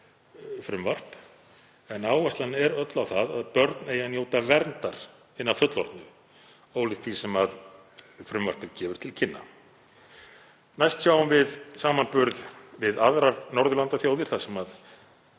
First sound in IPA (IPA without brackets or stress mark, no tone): f